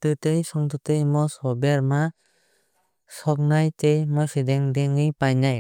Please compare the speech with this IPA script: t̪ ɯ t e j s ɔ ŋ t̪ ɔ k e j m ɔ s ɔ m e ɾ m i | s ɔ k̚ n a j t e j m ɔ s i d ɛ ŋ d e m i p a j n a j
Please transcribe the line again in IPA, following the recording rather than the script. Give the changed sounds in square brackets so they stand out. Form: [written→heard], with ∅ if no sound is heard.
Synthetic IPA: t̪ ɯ t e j s ɔ ŋ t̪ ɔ [k→t] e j m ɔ s ɔ [m→b] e ɾ m [i→a] | s ɔ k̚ n a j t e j m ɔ s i d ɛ ŋ d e [m→ŋ] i p a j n a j